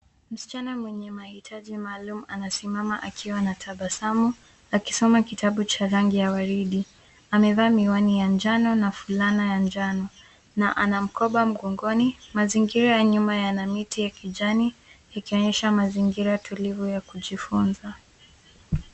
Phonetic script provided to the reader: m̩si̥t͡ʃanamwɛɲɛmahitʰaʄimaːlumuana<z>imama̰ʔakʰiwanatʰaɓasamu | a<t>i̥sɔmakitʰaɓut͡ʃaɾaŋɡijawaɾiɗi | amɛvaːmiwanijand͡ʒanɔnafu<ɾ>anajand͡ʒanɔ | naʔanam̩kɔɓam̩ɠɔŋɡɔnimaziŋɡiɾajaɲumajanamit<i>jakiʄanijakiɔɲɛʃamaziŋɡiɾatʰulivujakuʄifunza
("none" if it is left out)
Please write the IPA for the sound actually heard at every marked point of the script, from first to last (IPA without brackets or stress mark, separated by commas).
s, k, l, i